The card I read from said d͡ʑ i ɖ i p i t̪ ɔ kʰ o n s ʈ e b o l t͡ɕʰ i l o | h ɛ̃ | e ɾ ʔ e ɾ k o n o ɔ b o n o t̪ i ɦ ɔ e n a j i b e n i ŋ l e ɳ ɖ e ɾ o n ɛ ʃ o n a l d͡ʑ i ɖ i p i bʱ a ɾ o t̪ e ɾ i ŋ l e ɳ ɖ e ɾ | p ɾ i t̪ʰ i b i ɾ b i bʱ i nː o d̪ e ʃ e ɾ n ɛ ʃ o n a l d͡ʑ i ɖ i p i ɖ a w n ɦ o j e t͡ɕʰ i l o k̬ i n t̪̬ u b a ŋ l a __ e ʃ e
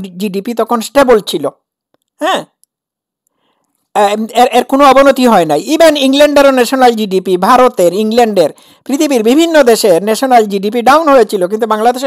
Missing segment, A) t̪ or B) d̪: B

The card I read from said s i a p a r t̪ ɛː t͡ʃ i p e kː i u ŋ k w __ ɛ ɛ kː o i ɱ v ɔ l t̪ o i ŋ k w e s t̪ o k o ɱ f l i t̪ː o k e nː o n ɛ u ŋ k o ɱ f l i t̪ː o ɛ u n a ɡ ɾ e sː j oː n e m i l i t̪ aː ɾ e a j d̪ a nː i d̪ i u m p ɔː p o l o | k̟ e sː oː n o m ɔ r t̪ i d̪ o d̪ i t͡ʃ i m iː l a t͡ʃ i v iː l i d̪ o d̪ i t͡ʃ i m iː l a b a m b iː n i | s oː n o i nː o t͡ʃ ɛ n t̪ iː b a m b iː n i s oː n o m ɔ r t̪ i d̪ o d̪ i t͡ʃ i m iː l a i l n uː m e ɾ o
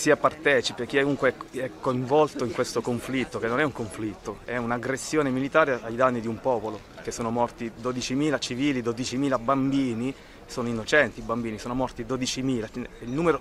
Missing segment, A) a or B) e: B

